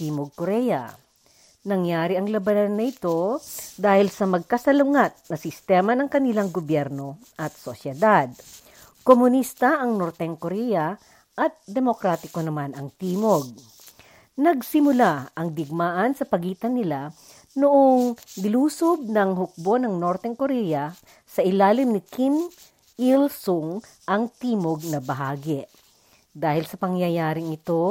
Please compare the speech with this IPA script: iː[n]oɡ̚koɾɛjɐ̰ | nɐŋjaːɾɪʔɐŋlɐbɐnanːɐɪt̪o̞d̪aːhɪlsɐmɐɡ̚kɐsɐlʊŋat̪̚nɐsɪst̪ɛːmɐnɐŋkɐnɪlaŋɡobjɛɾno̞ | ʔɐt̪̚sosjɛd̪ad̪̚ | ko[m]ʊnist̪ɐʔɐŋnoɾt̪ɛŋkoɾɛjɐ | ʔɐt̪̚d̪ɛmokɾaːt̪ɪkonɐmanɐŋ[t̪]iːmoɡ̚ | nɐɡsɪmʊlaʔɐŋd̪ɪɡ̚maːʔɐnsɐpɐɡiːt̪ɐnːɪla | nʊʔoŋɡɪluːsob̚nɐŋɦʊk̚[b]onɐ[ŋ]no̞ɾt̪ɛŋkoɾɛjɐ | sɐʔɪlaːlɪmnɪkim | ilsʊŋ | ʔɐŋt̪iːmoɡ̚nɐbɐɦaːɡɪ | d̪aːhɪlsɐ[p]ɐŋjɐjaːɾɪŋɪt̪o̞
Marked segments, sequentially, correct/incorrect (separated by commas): incorrect, correct, correct, correct, correct, correct